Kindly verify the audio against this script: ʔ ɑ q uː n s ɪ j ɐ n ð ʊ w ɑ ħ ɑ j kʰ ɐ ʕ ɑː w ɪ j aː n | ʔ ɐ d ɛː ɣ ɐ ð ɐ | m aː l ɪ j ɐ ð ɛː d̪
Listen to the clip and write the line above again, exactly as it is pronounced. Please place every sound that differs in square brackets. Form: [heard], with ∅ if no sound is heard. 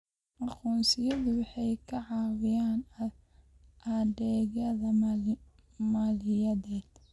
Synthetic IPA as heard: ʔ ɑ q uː n s ɪ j ɐ [∅] ð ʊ w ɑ ħ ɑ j kʰ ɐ ʕ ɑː w ɪ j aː n | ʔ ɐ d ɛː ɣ ɐ ð ɐ | m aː l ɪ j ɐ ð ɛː d̪